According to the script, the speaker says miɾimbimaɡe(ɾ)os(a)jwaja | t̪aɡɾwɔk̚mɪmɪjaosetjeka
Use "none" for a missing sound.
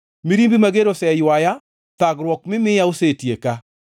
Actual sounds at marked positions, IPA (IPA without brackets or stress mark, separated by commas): ɾ, ɛ